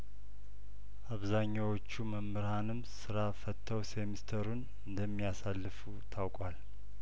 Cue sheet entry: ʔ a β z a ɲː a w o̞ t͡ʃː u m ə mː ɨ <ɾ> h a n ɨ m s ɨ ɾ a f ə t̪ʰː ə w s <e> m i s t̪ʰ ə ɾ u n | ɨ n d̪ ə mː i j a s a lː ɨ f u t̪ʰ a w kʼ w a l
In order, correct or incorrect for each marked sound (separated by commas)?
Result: correct, correct